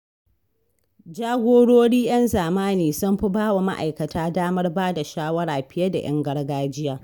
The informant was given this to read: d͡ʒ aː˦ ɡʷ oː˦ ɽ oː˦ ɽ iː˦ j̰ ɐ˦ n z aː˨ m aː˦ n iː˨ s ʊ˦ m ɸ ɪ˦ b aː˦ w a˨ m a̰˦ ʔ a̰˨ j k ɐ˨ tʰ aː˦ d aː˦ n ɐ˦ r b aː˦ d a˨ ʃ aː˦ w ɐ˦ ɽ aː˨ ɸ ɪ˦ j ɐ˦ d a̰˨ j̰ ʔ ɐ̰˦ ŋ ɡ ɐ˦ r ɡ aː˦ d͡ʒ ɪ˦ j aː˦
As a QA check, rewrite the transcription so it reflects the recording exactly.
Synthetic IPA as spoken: d͡ʒ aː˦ ɡʷ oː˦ ɽ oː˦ ɽ iː˦ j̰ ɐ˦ n z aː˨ m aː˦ n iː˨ s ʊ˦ m ɸ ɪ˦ b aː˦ w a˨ m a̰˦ ʔ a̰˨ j k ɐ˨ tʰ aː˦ d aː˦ m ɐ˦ r b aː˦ d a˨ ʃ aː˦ w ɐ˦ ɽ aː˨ ɸ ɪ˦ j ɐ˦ d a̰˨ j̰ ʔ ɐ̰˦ ŋ ɡ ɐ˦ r ɡ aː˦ d͡ʒ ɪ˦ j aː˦